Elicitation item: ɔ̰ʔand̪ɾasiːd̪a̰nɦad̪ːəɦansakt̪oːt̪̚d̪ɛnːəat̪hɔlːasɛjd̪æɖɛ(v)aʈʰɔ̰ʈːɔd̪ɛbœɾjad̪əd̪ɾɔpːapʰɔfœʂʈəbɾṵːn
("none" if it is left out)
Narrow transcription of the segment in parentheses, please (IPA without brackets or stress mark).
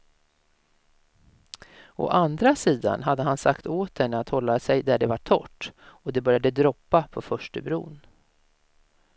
v